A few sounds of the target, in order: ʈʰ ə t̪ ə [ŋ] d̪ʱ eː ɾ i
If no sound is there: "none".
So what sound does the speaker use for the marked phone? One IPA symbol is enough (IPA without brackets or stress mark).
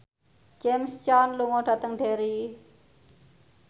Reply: ŋ